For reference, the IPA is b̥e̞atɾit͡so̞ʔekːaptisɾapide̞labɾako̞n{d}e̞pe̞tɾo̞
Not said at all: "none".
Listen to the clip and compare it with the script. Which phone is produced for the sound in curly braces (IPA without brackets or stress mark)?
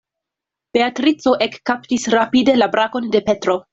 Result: d